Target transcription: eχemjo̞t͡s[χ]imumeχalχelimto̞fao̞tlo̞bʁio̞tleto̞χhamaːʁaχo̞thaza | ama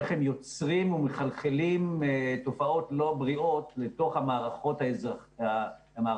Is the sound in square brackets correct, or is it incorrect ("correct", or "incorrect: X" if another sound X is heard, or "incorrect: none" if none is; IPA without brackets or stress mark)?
incorrect: ʁ